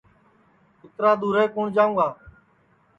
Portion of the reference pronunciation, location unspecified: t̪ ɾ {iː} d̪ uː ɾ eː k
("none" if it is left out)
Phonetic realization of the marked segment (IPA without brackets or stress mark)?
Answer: aː